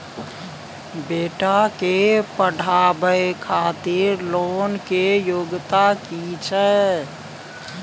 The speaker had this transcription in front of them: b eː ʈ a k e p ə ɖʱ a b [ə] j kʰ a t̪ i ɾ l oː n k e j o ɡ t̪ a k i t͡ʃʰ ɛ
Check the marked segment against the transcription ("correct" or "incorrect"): correct